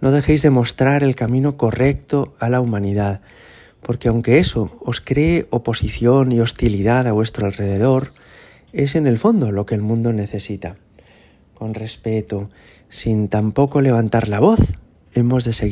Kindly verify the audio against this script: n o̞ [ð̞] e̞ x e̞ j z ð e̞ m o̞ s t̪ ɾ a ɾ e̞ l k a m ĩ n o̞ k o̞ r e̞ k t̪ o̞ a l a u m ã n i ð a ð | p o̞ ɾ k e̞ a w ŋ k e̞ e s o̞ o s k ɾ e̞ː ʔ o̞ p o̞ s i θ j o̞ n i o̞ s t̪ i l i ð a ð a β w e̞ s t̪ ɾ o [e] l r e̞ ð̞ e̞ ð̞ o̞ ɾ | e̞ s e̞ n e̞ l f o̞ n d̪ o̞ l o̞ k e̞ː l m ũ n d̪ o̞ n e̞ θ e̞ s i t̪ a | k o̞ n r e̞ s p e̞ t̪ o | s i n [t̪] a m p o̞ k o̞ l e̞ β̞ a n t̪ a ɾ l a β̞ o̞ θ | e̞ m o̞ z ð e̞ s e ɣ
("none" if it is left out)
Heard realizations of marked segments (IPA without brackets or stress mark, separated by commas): ð̞, a, t̪